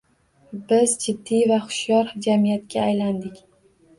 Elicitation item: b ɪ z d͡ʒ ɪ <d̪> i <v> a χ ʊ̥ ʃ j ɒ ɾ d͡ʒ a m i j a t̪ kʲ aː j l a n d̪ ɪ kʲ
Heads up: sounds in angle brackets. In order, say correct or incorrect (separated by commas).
incorrect, correct